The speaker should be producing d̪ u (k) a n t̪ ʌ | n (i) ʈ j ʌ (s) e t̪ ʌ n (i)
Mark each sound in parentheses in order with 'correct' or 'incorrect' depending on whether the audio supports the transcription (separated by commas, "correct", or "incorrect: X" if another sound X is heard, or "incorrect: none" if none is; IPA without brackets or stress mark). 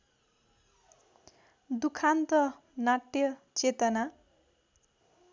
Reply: incorrect: kʰ, incorrect: a, incorrect: t͡s, incorrect: a